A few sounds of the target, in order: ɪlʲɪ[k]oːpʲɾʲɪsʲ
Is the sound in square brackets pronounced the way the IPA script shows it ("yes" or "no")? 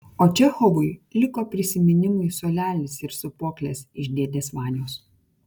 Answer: yes